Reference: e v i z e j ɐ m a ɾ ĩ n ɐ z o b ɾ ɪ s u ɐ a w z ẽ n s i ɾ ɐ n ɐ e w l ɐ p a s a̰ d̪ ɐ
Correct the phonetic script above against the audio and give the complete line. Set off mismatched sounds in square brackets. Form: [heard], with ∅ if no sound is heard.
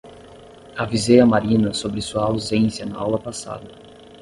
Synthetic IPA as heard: [a] v i z e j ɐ m a ɾ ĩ n ɐ [s] o b ɾ ɪ s u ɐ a w z ẽ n s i [∅] ɐ n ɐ [a] w l ɐ p a s a̰ d̪ ɐ